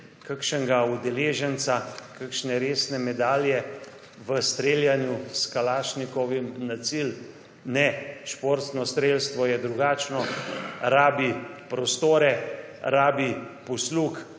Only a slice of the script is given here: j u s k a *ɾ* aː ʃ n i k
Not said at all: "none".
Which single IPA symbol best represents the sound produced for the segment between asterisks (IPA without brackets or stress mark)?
l